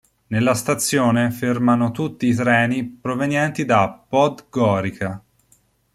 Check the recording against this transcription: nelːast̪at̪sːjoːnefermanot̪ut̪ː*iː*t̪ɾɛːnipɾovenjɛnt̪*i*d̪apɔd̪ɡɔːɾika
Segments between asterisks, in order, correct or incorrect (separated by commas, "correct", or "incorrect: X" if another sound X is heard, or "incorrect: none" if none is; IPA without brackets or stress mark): correct, correct